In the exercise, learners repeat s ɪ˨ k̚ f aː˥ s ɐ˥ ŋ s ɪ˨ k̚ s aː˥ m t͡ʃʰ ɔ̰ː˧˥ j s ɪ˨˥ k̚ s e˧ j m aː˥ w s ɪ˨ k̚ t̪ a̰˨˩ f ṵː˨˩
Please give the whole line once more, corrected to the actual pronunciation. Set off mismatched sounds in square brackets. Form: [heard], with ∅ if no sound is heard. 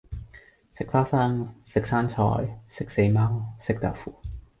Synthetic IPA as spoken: s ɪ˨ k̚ f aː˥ s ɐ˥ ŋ s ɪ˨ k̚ s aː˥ [n] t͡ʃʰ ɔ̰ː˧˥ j s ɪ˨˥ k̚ s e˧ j m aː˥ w s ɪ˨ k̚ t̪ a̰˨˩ f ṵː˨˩